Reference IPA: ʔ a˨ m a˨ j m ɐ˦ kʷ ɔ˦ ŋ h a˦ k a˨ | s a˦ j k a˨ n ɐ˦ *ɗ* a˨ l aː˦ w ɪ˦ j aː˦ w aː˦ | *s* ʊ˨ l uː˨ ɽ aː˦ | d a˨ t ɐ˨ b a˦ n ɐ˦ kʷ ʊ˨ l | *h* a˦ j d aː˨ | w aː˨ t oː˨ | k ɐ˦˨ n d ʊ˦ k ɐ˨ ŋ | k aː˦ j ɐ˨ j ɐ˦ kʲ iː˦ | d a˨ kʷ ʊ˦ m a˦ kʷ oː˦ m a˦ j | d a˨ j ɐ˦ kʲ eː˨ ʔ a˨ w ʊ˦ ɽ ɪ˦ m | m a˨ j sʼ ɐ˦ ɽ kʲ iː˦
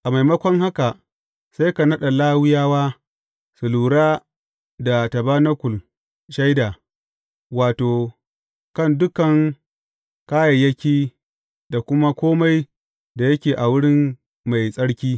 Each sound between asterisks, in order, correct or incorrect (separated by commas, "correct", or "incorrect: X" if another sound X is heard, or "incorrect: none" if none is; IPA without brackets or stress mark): correct, correct, incorrect: ʃ